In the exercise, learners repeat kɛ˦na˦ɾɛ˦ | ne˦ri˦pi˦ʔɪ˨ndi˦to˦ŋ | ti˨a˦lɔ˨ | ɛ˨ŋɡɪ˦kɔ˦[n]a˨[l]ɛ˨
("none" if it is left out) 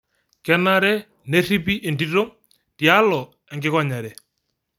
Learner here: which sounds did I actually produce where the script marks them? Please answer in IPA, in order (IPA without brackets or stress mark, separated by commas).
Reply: ɲ, ɾ